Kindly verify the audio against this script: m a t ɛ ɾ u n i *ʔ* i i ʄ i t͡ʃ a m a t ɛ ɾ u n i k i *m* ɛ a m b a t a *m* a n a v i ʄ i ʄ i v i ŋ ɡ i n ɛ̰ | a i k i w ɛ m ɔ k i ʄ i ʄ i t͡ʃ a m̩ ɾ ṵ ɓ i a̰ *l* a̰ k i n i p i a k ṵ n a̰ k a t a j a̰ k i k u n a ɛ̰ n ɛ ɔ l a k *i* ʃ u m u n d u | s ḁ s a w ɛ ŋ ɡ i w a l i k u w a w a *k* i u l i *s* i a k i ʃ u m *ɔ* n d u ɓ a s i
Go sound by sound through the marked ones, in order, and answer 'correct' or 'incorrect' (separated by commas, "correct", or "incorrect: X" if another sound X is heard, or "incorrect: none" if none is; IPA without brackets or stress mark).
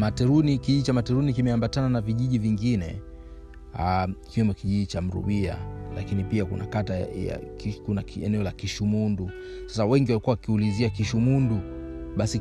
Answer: incorrect: k, correct, incorrect: n, correct, correct, correct, incorrect: z, incorrect: u